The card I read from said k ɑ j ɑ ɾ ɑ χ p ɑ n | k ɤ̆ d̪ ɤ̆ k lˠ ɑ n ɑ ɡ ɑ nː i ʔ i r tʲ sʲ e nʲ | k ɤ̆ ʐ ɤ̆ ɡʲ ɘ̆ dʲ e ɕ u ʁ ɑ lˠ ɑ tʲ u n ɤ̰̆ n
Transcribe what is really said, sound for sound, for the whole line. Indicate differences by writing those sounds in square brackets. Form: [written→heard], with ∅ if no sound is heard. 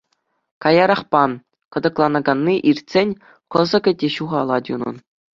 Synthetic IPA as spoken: k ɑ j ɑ ɾ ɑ χ p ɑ n | k ɤ̆ d̪ ɤ̆ k lˠ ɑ n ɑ ɡ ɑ nː i ʔ i r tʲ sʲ e nʲ | k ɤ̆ [ʐ→z] ɤ̆ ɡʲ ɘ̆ dʲ e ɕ u ʁ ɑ lˠ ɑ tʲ u n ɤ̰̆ n